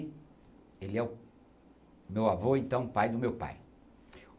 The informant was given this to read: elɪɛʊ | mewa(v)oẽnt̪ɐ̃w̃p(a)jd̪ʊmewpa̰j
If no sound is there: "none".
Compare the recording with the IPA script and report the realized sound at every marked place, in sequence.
v, a

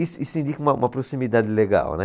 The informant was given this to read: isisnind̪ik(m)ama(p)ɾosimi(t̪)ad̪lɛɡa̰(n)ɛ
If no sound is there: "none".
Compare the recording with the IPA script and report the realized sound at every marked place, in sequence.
m, p, d̪, n

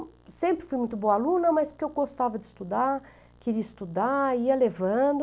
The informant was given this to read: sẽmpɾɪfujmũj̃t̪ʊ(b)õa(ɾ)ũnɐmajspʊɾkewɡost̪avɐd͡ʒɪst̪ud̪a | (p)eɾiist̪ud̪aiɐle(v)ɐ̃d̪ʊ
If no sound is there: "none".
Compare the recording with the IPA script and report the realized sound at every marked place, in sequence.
b, l, k, v

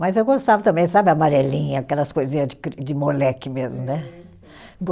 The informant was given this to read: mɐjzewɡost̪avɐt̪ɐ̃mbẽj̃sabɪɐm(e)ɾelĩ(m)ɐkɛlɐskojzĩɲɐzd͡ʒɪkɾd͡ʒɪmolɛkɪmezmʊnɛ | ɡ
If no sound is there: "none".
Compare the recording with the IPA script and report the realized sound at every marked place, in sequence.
a, ɲ

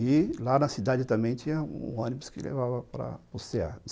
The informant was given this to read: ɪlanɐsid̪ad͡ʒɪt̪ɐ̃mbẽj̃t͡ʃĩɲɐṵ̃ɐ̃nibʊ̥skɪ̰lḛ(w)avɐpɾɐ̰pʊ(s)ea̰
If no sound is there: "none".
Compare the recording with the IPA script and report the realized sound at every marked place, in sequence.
v, s

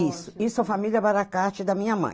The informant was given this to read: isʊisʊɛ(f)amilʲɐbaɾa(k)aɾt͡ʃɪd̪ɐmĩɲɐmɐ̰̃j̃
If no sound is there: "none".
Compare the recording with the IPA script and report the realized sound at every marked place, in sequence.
f, k

